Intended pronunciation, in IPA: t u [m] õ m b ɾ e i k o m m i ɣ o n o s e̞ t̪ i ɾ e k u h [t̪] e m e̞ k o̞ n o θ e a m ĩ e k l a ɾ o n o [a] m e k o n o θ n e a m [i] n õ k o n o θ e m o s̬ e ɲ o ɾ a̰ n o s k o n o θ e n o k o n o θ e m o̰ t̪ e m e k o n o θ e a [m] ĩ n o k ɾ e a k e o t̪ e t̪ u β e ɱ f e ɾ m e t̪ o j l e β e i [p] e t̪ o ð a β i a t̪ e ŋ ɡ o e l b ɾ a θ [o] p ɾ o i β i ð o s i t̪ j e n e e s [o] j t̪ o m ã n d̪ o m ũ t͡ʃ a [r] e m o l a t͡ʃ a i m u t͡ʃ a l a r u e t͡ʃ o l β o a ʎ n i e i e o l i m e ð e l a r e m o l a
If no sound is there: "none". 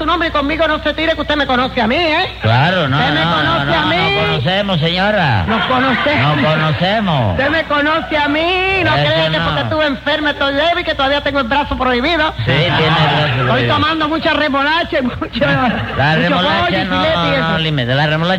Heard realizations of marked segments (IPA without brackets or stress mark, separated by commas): n, t̪, e, i, m, k, o, o, r